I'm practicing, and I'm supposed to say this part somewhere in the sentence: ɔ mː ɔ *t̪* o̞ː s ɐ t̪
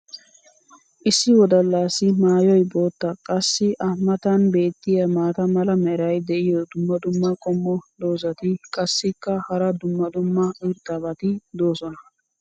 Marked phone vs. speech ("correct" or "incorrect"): incorrect